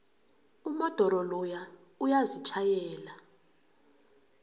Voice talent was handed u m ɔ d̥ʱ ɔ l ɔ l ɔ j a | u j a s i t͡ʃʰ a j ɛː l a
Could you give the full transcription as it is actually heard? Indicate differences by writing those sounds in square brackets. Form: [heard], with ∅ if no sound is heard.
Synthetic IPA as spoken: u m ɔ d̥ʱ ɔ [ɾ] ɔ l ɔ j a | u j a [z] i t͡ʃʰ a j ɛː l a